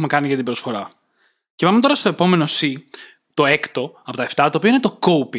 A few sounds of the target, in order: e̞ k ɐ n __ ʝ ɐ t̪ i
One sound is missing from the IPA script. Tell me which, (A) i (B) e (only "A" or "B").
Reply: A